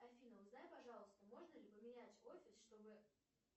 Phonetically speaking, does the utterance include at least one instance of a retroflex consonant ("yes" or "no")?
yes